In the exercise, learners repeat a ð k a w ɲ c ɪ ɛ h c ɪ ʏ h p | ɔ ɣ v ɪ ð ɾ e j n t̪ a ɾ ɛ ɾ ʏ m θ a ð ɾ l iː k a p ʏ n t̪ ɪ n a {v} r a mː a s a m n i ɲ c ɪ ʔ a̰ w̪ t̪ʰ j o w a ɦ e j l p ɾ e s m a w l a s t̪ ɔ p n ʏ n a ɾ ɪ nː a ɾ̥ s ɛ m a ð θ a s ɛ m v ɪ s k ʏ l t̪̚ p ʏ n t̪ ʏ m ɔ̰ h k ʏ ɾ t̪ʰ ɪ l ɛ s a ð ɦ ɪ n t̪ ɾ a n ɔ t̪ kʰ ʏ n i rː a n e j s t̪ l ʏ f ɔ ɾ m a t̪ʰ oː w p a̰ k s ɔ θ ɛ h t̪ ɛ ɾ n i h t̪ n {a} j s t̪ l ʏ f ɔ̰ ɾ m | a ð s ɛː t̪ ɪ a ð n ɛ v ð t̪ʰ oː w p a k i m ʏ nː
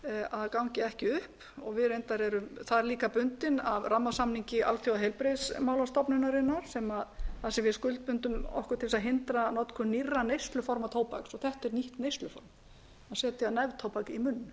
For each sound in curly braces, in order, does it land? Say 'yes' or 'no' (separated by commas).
yes, no